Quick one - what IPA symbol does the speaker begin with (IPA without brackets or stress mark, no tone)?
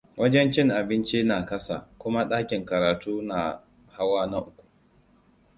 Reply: w